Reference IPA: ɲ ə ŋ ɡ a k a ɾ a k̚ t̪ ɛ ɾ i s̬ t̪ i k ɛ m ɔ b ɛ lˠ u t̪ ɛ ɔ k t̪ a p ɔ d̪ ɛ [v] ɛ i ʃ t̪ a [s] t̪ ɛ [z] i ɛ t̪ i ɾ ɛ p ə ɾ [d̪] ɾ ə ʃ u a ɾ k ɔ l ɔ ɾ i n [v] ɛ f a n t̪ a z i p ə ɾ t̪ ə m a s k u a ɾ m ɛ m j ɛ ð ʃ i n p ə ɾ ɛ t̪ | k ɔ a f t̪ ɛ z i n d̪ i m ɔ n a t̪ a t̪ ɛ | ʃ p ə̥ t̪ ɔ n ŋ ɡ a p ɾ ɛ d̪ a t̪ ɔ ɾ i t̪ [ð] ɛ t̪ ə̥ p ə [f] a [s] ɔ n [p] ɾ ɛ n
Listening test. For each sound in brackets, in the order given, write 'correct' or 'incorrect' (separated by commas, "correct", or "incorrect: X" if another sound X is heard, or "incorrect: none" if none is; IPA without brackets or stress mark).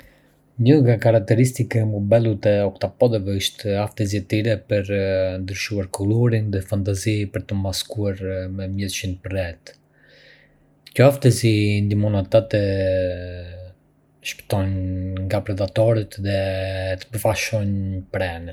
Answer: correct, incorrect: f, correct, correct, incorrect: ð, correct, correct, incorrect: ʃ, correct